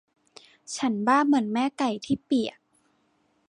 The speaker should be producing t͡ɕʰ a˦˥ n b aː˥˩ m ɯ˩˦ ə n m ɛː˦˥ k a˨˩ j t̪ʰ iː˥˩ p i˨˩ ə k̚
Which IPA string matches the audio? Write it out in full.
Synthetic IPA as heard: t͡ɕʰ a˦˥ n b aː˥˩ m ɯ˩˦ ə n m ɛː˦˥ k a˨˩ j t̪ʰ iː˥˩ p i˨˩ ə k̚